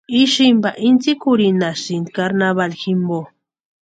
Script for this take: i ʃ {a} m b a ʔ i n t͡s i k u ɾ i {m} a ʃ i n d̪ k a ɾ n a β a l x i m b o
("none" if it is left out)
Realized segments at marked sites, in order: i, n

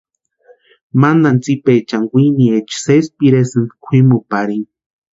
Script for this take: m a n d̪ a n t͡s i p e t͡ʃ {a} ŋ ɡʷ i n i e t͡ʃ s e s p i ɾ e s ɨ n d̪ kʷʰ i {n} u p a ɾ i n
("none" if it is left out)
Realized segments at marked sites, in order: a, m

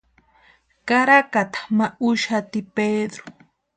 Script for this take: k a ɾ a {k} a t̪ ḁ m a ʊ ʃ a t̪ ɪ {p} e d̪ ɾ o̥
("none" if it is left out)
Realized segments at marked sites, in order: k, p

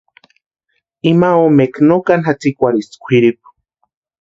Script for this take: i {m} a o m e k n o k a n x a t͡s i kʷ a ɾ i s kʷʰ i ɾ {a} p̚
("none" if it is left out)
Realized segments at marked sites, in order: m, i

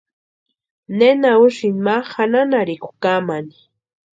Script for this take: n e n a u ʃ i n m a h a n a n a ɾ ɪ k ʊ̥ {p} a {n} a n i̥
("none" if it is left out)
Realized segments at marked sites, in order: k, m

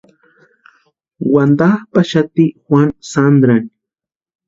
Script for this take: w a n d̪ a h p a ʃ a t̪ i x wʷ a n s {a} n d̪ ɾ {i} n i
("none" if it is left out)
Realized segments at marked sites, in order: a, a

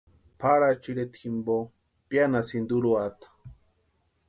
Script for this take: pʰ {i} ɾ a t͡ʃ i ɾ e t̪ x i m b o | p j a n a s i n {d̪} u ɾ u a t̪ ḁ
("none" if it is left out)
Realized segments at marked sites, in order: a, d̪

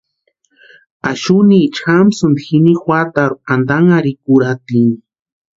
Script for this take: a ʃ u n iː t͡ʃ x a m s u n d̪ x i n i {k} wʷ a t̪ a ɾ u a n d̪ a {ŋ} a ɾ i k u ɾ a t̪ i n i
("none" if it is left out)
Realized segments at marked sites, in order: x, ŋ

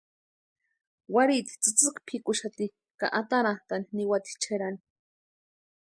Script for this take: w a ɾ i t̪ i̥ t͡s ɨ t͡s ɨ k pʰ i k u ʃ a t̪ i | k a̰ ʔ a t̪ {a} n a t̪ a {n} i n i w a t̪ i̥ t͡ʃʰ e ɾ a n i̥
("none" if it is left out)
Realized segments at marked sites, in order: a, n

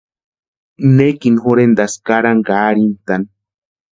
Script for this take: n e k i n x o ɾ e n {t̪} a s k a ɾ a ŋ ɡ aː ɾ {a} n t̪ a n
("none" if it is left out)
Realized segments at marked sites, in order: d̪, i

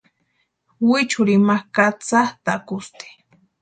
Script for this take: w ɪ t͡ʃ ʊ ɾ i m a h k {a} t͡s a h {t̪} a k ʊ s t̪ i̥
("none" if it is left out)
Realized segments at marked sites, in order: a, t̪

